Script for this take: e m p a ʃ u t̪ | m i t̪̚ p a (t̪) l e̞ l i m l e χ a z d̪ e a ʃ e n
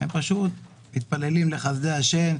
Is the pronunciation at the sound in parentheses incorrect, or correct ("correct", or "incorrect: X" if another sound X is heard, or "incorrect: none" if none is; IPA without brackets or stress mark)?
incorrect: none